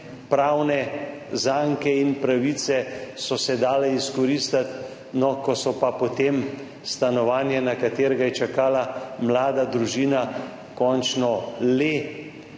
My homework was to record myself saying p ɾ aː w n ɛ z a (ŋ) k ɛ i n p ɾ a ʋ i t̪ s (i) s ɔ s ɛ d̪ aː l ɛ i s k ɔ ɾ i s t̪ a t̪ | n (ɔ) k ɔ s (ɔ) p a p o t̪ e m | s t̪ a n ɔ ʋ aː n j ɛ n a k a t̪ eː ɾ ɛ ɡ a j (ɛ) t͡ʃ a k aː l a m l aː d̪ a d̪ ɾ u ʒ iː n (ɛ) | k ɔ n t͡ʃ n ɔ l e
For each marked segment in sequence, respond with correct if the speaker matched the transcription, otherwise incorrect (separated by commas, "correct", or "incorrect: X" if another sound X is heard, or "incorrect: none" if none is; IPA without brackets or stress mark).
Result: correct, incorrect: ɛ, correct, correct, correct, incorrect: a